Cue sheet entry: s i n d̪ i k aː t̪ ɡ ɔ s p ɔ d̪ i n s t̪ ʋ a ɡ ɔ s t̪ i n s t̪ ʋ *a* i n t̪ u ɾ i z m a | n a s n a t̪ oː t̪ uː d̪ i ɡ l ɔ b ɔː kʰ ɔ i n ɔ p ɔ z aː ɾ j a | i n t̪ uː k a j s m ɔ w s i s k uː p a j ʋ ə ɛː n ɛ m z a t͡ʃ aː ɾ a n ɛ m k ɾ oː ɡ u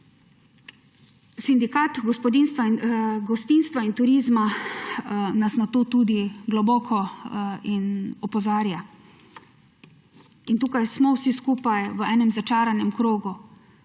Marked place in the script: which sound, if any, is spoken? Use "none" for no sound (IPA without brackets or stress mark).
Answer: a